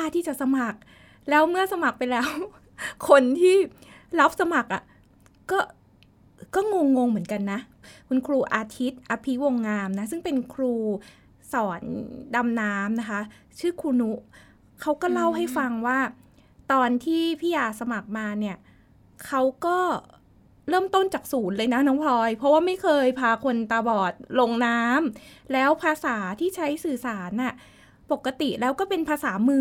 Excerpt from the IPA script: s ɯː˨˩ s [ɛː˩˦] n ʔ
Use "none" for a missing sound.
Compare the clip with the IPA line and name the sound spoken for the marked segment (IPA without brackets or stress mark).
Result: aː˩˦